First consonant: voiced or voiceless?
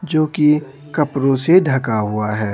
voiced